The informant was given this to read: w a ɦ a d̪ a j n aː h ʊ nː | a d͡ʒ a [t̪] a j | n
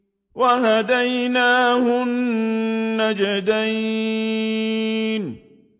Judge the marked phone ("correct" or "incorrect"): incorrect